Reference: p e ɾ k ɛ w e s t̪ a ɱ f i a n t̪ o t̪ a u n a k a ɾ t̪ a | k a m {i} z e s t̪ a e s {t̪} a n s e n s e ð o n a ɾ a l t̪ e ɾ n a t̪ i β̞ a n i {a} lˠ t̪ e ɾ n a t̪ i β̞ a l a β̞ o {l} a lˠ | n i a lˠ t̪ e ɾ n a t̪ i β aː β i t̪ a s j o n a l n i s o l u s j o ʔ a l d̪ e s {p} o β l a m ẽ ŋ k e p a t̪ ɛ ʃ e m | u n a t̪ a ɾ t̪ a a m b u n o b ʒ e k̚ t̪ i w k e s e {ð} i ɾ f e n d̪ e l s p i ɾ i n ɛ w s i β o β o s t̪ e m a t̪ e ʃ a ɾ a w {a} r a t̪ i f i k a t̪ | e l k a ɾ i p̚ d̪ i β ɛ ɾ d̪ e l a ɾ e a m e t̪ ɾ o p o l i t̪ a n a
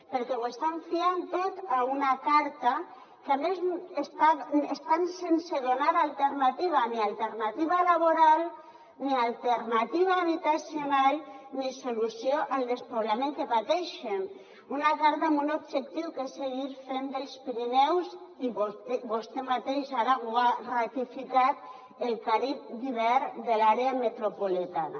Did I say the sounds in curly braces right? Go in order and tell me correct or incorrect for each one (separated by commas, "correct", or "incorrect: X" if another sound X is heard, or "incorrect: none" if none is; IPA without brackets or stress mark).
incorrect: e, correct, correct, incorrect: ɾ, correct, incorrect: ɣ, correct